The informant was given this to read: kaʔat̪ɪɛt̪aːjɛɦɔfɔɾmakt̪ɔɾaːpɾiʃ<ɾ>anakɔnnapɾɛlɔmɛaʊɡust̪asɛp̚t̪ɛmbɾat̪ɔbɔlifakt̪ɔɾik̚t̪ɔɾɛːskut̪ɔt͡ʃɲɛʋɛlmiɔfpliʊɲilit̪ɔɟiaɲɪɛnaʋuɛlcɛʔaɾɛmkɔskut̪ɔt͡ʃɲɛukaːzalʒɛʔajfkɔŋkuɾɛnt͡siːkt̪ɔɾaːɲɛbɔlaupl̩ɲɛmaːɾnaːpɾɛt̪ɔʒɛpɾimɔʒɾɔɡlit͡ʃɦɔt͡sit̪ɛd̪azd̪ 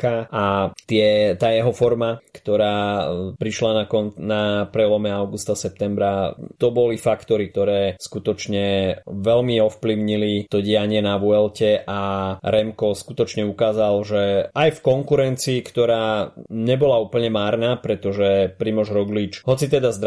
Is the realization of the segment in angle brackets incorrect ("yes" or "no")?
yes